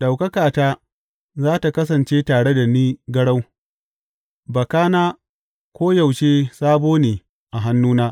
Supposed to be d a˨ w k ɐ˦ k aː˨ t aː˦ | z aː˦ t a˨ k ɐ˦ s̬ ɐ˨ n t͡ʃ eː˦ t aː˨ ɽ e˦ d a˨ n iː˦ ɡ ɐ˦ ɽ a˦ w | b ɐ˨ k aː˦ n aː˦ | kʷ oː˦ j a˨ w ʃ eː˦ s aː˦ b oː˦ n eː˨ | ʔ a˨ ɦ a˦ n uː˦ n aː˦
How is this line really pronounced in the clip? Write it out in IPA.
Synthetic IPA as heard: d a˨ w k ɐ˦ k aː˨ t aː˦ | z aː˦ t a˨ k ɐ˦ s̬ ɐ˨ n t͡ʃ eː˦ t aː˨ ɽ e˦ d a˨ n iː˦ ɡ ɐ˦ ɽ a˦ w | b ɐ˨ k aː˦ n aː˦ | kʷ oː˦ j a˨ w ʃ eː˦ s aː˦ b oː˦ n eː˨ | ʔ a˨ ɦ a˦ nː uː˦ n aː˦